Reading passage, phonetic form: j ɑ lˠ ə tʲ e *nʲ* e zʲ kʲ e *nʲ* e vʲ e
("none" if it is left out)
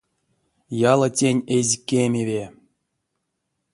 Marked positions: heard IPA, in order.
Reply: nʲ, mʲ

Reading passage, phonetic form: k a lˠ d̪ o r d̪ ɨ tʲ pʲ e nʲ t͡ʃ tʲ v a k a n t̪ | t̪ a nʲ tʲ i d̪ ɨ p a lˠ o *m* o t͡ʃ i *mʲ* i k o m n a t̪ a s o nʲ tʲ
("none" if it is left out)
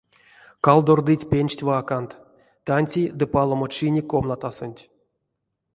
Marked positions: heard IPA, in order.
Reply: m, nʲ

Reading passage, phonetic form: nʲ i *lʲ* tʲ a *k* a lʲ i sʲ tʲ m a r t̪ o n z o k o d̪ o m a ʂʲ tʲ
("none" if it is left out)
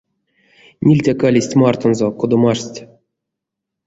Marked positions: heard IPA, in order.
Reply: lʲ, k

